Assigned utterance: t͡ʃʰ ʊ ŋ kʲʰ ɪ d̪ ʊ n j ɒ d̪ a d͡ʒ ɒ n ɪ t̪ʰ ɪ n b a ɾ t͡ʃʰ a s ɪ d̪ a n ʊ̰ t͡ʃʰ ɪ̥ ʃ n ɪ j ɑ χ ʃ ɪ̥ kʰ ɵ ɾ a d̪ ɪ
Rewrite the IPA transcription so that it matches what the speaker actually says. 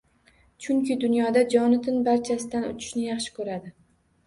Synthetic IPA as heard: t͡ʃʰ ʊ ŋ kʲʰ ɪ d̪ ʊ n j ɒ d̪ a d͡ʒ ɒ n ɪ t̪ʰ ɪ n b a ɾ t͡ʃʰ a s ɪ d̪ a n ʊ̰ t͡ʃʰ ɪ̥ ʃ n ɪ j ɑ χ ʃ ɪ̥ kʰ ɵ ɾ a d̪ ɪ